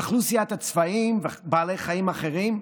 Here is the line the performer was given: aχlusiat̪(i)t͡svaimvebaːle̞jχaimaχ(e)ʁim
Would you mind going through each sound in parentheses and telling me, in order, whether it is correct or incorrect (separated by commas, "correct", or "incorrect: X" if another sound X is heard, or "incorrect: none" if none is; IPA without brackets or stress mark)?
incorrect: a, correct